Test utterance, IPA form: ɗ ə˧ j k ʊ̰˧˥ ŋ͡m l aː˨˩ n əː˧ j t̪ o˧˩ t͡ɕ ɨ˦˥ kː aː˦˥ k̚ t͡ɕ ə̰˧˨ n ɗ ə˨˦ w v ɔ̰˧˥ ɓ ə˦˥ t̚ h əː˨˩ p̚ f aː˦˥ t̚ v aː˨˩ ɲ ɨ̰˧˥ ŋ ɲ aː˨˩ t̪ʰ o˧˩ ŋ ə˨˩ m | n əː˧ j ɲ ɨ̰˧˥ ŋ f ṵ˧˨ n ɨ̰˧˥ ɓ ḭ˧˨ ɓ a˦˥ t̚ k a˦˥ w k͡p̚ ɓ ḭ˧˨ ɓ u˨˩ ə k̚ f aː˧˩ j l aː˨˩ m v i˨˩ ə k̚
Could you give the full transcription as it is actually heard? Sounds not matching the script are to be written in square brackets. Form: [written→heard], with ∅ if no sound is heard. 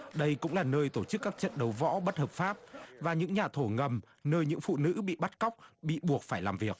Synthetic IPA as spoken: ɗ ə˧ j k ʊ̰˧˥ ŋ͡m l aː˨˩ n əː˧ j t̪ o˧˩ t͡ɕ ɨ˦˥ kː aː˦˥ k̚ t͡ɕ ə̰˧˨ n ɗ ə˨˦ w v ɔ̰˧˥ ɓ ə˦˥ t̚ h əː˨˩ p̚ f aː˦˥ [t̚→p̚] v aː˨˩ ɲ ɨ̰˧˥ ŋ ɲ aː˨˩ t̪ʰ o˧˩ ŋ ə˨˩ m | n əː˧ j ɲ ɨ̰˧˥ ŋ f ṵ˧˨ n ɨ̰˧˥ ɓ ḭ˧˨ ɓ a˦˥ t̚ k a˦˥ w k͡p̚ ɓ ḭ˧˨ ɓ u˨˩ ə k̚ f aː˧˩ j l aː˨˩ m v i˨˩ ə k̚